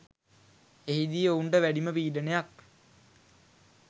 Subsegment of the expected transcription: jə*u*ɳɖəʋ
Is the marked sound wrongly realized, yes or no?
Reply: no